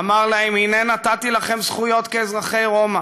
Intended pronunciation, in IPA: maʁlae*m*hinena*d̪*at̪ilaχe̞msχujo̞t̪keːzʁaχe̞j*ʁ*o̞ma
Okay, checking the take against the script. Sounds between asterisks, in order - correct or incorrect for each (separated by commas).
correct, incorrect, correct